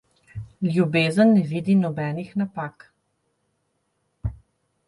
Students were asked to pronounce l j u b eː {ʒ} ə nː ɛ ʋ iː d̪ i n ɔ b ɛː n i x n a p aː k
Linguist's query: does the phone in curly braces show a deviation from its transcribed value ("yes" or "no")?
yes